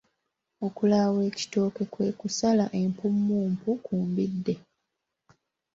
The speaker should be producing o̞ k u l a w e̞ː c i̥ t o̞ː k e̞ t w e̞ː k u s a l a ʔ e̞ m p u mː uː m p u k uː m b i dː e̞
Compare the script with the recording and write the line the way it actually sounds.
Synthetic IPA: o̞ k u l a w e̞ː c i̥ t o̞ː k e̞ k w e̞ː k u s a l a ʔ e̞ m p u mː uː m p u k uː m b i dː e̞